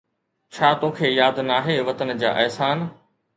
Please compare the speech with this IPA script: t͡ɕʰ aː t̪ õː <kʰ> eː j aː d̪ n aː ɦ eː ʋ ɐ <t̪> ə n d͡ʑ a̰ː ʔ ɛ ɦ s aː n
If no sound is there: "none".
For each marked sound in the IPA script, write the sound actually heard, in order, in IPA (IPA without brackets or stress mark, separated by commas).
kʰ, t̪